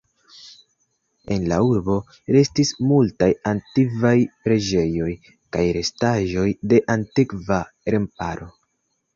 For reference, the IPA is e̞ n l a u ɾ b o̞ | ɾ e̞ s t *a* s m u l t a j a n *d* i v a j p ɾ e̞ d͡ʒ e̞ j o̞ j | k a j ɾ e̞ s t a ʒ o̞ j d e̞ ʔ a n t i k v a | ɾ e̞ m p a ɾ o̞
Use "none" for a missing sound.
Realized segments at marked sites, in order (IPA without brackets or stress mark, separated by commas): i, t